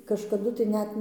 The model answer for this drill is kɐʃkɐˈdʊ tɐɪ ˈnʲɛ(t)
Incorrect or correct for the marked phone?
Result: correct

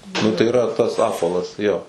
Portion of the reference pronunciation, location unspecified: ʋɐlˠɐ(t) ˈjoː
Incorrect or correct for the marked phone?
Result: incorrect: s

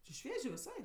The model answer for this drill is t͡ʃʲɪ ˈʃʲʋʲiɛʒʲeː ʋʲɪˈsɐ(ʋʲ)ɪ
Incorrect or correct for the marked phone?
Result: incorrect: none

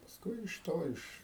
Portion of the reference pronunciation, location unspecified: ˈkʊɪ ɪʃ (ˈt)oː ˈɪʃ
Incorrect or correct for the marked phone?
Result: correct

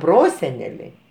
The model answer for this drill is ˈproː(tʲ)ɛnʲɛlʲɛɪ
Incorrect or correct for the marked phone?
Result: incorrect: sʲ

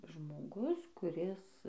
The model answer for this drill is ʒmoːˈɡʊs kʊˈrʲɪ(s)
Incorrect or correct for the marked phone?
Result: correct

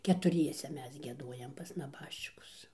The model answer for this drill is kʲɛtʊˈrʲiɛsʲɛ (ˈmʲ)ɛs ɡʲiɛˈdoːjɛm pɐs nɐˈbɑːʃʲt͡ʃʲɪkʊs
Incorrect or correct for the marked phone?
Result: correct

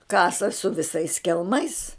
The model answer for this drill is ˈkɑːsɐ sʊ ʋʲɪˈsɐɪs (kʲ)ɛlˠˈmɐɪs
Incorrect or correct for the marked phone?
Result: correct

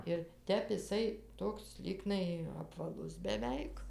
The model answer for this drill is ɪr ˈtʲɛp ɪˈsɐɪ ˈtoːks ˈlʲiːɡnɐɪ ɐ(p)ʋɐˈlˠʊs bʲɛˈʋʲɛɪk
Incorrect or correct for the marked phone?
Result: correct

